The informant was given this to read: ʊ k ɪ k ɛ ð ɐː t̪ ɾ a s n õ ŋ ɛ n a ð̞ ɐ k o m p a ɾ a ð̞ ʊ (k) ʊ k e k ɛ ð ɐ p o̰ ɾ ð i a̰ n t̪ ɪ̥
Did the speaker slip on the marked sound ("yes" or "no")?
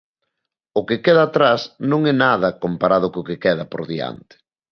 no